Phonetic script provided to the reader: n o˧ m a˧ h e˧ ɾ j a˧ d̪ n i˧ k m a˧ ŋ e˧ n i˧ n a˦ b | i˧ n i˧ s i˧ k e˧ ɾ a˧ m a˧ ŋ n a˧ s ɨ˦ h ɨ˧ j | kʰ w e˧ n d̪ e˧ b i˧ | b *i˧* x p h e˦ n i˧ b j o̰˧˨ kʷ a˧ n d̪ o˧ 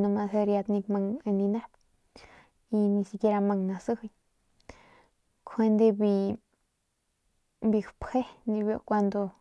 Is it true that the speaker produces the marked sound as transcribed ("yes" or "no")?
yes